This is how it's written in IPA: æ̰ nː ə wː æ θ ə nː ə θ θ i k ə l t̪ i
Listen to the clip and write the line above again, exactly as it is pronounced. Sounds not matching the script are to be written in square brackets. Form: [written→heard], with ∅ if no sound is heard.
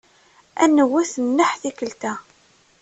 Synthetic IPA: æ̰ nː ə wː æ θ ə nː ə [θ→ħ] θ i k ə l t̪ [i→æ]